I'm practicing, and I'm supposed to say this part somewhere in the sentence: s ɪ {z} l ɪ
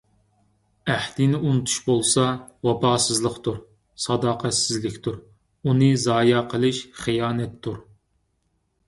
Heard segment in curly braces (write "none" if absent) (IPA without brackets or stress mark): z